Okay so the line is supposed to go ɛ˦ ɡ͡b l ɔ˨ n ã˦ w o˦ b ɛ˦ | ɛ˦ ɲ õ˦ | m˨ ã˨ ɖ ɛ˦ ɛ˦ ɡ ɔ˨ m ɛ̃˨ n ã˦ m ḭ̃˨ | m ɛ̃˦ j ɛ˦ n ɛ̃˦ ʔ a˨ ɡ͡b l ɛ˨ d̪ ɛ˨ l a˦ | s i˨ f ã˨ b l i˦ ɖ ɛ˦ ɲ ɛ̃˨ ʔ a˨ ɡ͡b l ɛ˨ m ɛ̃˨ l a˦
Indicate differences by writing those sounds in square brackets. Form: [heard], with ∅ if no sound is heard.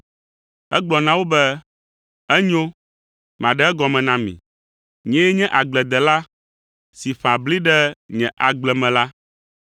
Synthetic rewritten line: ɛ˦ ɡ͡b l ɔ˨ n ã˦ w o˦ b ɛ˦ | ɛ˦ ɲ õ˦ | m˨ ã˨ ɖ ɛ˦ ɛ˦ ɡ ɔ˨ m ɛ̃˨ n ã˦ m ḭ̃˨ | [ɲ] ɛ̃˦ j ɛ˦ [ɲ] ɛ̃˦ ʔ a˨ ɡ͡b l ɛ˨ d̪ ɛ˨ l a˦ | s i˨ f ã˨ b l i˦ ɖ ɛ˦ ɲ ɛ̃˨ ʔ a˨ ɡ͡b l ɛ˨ m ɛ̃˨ l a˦